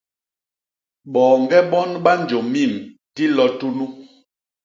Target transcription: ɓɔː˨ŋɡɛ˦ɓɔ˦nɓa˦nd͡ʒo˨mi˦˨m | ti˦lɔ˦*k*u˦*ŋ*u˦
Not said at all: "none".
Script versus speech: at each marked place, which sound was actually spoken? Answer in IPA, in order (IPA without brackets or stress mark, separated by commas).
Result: t, n